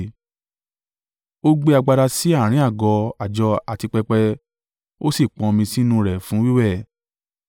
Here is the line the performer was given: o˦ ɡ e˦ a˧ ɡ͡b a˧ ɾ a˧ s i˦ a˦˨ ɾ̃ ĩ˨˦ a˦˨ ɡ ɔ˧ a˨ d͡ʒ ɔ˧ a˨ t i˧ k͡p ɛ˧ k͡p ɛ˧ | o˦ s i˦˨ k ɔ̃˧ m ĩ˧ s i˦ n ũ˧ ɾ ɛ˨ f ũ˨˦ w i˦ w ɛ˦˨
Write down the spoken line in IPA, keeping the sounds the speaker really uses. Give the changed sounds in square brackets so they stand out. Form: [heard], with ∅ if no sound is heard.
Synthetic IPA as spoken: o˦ [ɡ͡b] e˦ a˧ ɡ͡b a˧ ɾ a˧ s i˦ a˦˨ ɾ̃ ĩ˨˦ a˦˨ ɡ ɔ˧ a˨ d͡ʒ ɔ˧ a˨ t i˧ k͡p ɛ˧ k͡p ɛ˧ | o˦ s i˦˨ [k͡p] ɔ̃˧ m ĩ˧ s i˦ n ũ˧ ɾ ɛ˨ f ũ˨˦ w i˦ w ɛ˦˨

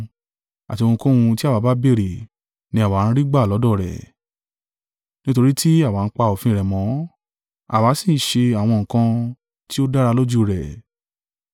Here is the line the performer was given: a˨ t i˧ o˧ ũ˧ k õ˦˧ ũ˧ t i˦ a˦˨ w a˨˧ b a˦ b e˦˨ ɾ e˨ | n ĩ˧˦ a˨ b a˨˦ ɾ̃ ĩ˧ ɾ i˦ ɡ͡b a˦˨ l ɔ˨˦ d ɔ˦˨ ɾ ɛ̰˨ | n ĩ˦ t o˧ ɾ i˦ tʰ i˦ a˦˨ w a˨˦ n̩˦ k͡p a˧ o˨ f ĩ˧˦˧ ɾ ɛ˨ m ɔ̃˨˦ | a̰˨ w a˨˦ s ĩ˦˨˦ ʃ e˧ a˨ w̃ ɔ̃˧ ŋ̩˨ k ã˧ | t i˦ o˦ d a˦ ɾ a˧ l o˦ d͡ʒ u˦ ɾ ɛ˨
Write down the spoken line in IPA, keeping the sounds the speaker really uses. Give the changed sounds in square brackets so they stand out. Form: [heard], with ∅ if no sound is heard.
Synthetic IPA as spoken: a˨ t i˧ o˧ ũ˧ k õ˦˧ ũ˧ t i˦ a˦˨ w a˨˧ b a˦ b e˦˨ ɾ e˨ | n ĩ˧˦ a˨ [w] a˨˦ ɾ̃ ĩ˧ ɾ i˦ ɡ͡b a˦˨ l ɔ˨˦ d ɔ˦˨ ɾ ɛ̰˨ | n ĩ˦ t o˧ ɾ i˦ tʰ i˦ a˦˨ w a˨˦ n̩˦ k͡p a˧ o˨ f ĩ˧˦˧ ɾ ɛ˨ m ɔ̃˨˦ | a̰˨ w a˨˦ s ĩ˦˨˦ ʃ e˧ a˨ w̃ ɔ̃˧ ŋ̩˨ k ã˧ | t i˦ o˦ d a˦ ɾ a˧ l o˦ d͡ʒ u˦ ɾ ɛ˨

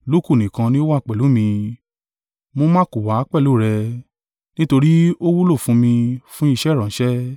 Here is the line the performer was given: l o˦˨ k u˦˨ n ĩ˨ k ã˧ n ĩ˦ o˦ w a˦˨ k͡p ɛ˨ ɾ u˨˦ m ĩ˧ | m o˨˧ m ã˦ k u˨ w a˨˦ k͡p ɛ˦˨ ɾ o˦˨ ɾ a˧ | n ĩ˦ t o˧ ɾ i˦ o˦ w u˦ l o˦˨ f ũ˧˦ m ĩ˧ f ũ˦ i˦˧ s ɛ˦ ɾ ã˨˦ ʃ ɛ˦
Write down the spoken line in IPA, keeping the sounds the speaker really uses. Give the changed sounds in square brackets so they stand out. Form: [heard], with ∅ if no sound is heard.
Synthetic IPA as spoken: l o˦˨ k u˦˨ n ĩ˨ k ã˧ n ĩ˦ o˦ w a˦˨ k͡p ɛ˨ [l] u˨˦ m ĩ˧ | m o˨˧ m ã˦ k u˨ w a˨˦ k͡p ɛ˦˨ [l] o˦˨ ɾ [ɛ˧] | n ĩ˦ t o˧ ɾ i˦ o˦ w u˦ l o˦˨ f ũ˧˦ m ĩ˧ f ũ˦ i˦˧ [ʃ] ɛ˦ ɾ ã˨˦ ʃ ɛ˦

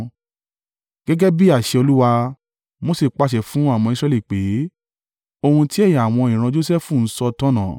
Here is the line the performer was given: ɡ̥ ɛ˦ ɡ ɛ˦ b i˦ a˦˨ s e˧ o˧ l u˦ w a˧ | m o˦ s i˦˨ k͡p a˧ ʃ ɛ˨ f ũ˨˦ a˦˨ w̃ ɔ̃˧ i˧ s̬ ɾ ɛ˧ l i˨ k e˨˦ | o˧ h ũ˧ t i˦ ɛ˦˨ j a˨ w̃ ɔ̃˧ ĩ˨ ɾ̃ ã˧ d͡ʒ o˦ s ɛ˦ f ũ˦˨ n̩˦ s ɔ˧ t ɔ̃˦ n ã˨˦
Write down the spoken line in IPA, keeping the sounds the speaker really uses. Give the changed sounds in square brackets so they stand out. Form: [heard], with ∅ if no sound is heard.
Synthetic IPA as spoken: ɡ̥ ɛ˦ ɡ ɛ˦ b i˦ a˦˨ [ʃ] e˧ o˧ l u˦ w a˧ | m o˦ s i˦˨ k͡p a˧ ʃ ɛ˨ f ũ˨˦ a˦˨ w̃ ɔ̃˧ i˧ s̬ ɾ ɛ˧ l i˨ [k͡p] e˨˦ | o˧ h ũ˧ t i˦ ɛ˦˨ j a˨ w̃ ɔ̃˧ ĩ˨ ɾ̃ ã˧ d͡ʒ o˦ s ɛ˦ f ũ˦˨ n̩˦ s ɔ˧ t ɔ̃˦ n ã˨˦

